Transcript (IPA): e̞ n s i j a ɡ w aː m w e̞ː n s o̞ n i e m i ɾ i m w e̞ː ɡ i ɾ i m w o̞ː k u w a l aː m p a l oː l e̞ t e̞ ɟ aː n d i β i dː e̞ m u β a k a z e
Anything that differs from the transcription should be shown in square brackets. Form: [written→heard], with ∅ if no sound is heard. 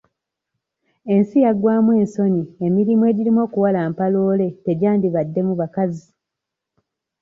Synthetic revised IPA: e̞ n s i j a ɡ w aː m w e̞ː n s o̞ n i e m i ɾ i m w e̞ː [ɡ→ɟ] i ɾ i m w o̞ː k u w a l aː m p a l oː l e̞ t e̞ ɟ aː n d i β [i→a] dː e̞ m u β a k a z [e→i]